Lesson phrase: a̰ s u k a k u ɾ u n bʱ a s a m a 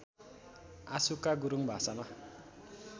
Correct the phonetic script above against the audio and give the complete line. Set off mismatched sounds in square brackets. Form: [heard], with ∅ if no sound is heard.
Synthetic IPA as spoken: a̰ s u k a [ɡ] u ɾ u [ŋ] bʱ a s a m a